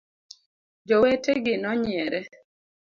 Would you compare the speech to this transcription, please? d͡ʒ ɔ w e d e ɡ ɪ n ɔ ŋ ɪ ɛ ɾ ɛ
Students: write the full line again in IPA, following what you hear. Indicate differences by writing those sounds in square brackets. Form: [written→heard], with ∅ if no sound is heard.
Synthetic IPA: d͡ʒ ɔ w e [d→t] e ɡ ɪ n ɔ [ŋ→ɲ] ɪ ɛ ɾ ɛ